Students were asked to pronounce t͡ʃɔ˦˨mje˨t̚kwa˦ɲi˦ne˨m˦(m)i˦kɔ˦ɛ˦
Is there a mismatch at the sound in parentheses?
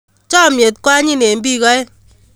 yes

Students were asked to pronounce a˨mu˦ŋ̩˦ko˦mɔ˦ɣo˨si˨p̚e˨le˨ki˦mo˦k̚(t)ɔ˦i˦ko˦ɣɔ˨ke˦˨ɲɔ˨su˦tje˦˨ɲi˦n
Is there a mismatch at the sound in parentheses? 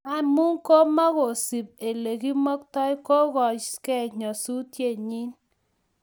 no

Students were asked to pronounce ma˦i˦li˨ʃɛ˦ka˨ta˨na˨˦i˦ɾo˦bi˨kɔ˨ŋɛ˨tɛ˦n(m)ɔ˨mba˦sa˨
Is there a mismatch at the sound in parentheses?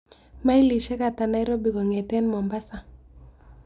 no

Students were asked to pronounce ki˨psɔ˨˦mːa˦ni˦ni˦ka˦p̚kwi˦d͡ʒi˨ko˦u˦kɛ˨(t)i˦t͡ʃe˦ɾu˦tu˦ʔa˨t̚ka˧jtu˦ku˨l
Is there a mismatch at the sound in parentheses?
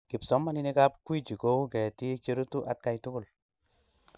no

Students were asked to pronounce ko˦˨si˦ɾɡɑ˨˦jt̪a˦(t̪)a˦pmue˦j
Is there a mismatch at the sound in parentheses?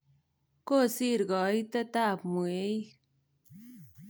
no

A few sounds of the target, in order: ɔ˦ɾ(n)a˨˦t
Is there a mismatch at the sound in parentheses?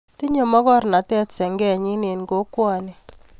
no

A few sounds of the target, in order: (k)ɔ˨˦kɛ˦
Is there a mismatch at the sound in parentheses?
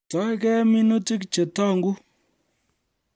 yes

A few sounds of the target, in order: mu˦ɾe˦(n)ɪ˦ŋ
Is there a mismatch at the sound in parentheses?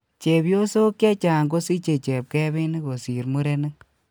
no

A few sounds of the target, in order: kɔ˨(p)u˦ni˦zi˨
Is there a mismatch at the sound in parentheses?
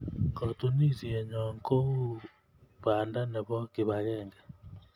yes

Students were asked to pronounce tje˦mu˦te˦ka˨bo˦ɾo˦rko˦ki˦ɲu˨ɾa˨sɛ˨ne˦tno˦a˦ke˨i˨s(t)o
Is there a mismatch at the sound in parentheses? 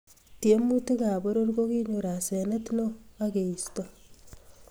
no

